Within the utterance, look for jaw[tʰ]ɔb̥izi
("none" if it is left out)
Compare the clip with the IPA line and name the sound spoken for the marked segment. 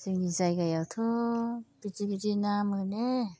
tʰ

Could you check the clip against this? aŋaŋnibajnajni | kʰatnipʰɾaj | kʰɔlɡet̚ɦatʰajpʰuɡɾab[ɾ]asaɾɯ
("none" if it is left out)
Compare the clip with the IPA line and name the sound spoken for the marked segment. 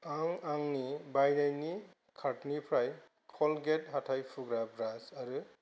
ɾ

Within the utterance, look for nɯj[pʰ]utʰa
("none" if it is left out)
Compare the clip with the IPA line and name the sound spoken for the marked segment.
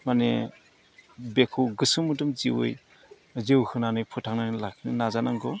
pʰ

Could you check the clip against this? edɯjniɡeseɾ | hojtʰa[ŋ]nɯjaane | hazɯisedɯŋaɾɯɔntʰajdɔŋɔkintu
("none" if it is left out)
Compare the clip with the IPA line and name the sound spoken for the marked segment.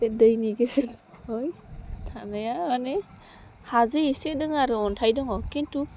none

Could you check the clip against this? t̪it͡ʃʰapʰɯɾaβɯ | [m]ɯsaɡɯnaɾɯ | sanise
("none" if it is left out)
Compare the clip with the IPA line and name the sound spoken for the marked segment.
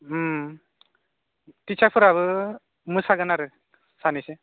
m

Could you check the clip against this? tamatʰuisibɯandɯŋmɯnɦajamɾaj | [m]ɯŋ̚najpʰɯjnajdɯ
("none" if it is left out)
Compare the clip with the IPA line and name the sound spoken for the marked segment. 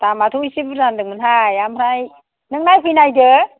n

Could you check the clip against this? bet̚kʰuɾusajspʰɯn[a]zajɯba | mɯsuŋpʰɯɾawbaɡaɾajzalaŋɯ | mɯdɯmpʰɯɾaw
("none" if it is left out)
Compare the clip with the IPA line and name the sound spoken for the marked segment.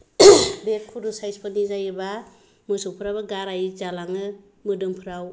i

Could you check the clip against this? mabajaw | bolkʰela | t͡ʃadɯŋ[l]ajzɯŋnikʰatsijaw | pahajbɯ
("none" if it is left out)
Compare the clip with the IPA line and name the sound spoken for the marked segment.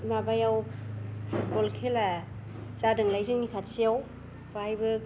l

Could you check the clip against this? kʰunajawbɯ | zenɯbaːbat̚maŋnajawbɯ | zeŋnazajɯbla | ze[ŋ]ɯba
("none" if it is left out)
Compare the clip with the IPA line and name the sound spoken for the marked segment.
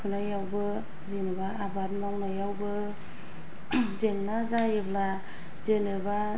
n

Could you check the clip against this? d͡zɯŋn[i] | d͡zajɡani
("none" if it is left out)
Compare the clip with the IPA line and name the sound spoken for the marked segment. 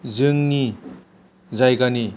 i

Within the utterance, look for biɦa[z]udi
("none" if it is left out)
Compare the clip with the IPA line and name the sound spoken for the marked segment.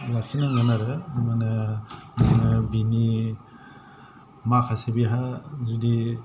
z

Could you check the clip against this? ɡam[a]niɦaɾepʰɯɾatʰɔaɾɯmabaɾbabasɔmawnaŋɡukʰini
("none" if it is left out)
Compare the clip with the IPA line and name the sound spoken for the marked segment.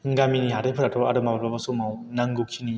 i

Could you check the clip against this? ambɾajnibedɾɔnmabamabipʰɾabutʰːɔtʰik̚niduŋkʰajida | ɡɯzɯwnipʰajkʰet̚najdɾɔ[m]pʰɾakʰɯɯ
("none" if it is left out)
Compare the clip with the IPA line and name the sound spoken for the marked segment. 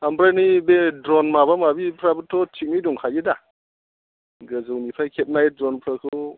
n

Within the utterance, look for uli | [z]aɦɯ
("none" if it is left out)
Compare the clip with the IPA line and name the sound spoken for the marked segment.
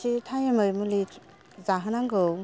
z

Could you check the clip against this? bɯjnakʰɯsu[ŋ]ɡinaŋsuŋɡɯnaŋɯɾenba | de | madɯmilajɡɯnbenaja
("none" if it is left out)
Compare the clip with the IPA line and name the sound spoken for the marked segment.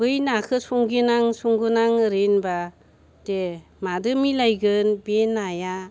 ŋ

